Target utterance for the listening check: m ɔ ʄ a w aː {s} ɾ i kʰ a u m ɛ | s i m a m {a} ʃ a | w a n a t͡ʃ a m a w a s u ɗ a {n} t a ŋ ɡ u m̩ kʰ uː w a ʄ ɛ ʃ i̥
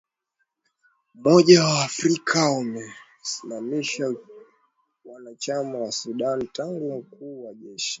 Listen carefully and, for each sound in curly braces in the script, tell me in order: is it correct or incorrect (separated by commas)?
incorrect, incorrect, correct